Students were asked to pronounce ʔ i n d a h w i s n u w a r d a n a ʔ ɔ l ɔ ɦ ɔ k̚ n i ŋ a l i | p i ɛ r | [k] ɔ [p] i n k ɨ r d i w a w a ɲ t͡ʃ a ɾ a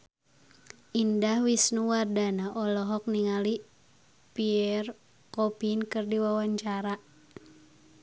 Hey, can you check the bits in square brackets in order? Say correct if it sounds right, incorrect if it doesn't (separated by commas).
correct, correct